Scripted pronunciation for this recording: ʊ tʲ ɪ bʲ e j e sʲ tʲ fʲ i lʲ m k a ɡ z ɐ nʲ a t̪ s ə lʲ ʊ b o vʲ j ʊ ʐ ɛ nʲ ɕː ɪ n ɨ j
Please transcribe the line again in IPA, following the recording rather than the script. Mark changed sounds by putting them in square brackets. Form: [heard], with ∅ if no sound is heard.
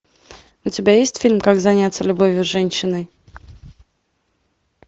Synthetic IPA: ʊ tʲ ɪ bʲ [a] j e sʲ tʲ fʲ i lʲ m k a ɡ z ɐ nʲ a t̪ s ə lʲ ʊ b o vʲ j ʊ ʐ ɛ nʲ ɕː ɪ n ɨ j